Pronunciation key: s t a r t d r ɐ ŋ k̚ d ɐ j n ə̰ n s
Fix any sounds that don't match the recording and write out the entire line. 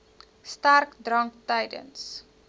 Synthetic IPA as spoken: s t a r k d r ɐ ŋ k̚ t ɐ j d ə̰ n s